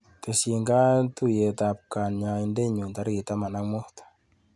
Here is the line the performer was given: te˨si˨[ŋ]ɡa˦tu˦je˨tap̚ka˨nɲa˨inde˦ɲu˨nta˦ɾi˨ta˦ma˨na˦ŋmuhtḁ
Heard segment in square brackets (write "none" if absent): ŋ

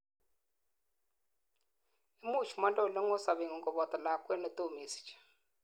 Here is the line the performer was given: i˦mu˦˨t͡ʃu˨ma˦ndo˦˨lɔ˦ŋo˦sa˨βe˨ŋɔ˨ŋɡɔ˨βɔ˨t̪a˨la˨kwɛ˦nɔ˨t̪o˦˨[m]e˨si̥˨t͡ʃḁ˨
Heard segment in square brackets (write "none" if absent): m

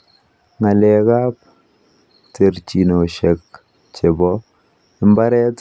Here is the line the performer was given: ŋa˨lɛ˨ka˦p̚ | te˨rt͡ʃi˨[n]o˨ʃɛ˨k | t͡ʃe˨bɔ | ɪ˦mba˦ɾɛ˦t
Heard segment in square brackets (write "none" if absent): n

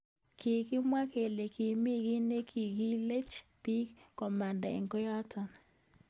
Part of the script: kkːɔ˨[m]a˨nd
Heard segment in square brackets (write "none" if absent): m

